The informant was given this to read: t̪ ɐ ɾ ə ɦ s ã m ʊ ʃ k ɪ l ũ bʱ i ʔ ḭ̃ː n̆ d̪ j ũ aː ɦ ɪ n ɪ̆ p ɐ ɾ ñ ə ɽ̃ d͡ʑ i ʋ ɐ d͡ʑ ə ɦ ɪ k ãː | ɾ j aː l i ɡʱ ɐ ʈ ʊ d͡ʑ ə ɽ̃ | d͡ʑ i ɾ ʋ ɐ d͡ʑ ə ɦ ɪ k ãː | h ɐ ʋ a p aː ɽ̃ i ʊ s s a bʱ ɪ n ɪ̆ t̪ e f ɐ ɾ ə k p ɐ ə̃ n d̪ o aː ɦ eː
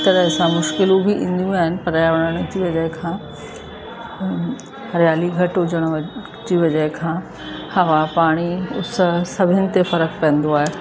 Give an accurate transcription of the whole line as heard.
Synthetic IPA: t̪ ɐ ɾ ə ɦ s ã m ʊ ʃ k ɪ l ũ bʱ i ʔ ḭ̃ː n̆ d̪ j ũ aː ɦ ɪ n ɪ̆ p ɐ ɾ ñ ə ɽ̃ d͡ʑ i ʋ ɐ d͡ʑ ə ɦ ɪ kʰ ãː | ɾ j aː l i ɡʱ ɐ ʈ ʊ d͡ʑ ə ɽ̃ | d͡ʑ i ʋ ɐ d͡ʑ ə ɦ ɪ kʰ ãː | h ɐ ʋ a p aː ɽ̃ i ʊ s s ɐ bʱ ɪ n ɪ̆ t̪ e f ɐ ɾ ə k p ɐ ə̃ n d̪ o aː ɦ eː